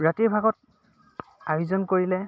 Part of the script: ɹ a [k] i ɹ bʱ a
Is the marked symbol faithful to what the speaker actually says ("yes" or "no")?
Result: no